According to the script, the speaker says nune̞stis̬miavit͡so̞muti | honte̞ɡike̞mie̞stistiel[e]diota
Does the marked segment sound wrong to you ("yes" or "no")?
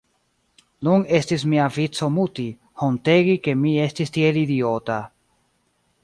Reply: yes